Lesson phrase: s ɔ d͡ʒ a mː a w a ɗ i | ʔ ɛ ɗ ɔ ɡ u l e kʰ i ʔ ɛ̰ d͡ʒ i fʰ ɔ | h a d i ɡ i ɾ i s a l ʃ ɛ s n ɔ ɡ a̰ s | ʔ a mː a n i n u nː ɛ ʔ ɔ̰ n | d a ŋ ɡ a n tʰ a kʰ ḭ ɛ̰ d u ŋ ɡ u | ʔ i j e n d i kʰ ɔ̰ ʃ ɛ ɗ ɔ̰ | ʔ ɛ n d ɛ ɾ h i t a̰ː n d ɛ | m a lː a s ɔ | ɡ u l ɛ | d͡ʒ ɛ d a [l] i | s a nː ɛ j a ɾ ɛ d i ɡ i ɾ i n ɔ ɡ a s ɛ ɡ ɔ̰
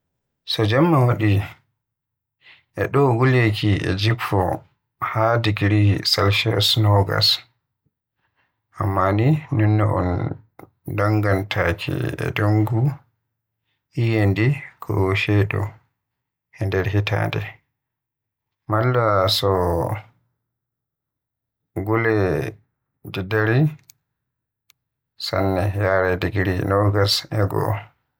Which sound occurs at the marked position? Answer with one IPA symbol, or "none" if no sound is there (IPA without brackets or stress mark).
ɾ